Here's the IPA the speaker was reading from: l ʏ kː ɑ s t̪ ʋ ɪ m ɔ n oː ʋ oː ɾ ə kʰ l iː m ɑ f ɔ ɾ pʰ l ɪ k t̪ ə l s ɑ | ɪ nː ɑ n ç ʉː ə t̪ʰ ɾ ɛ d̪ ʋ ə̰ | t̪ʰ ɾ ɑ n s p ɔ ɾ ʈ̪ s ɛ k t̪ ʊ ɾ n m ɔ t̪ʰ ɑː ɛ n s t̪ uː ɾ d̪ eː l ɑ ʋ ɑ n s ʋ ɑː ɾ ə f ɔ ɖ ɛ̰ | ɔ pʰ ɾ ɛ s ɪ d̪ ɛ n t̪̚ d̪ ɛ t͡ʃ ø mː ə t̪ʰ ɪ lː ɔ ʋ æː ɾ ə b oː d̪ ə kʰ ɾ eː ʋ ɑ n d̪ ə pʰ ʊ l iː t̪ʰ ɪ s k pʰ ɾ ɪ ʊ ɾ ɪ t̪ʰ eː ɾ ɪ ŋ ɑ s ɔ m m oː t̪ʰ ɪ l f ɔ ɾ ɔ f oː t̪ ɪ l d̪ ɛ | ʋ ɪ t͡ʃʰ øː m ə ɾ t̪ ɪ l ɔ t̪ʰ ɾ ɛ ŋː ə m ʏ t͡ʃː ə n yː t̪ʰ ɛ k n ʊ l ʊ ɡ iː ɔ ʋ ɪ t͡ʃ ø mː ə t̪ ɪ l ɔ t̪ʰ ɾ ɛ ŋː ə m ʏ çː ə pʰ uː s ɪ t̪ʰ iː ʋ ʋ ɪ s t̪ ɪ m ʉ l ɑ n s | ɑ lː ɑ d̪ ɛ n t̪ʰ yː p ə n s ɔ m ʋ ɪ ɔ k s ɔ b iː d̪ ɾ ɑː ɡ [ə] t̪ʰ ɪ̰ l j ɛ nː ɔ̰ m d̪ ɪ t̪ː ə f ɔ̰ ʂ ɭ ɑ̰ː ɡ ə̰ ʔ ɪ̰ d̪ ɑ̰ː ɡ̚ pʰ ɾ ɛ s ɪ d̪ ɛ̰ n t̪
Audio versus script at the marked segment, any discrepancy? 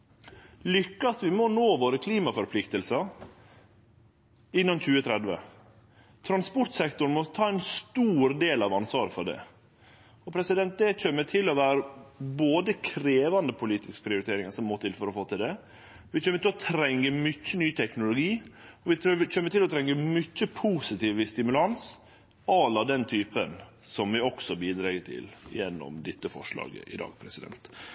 no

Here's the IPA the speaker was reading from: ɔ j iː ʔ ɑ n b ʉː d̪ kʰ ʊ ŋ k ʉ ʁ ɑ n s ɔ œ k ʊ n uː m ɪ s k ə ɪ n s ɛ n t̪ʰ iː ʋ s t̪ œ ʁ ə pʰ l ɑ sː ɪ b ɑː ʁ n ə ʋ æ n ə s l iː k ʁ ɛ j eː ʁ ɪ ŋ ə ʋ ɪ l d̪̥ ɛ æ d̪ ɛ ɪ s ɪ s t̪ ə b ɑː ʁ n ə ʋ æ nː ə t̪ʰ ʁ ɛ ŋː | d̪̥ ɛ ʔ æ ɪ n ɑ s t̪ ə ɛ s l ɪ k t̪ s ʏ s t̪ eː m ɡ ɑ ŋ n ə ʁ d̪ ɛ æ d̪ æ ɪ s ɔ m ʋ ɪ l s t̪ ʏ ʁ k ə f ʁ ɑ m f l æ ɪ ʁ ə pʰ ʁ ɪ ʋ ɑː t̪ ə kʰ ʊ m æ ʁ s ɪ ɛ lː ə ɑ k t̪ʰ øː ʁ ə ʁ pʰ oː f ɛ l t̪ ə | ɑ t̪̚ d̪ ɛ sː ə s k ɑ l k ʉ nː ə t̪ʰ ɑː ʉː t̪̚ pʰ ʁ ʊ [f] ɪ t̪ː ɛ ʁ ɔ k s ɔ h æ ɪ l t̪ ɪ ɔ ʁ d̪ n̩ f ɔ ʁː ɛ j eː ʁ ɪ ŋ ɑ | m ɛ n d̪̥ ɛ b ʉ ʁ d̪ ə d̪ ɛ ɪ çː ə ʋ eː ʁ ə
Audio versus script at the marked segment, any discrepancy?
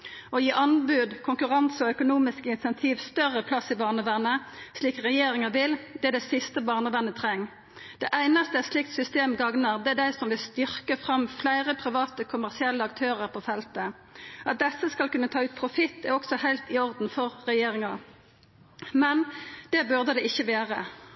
no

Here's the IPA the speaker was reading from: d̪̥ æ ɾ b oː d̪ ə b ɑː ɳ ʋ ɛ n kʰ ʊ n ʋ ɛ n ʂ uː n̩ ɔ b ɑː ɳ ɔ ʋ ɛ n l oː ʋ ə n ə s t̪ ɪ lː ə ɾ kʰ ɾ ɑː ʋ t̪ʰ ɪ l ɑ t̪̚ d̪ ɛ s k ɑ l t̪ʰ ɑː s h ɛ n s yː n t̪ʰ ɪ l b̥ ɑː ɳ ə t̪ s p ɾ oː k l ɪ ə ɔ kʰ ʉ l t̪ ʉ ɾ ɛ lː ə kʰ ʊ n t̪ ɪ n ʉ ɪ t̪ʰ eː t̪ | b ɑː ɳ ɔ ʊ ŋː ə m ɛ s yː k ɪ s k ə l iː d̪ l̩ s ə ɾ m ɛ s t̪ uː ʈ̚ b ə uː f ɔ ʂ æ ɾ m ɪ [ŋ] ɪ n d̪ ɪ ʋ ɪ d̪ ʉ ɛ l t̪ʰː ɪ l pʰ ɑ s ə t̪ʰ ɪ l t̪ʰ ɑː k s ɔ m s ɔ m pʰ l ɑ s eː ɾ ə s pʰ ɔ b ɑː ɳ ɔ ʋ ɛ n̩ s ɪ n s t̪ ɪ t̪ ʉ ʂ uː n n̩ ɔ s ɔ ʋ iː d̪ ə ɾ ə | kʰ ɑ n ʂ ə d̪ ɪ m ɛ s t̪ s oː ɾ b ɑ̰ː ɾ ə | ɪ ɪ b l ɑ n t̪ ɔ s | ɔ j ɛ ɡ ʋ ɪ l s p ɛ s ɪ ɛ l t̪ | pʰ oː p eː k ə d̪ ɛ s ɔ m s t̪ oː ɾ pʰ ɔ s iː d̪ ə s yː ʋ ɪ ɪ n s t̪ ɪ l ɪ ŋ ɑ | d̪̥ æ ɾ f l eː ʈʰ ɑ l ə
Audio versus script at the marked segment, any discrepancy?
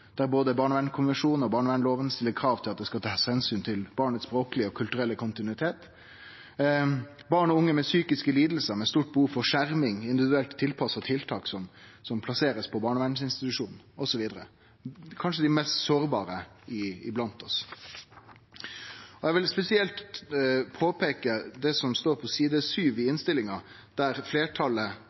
no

